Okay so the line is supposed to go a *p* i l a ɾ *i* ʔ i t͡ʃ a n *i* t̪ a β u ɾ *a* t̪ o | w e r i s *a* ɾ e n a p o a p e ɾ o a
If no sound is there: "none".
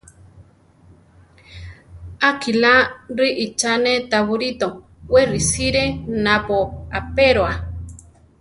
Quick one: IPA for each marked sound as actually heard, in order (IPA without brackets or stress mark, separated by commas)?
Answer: k, i, e, i, i